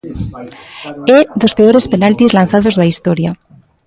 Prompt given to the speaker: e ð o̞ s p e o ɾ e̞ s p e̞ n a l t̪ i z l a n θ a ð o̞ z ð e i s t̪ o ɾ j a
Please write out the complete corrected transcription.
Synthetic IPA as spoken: e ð o̞ s p e o ɾ e̞ s p e̞ n a l t̪ i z l a n θ a ð o̞ z ð a i s t̪ o ɾ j a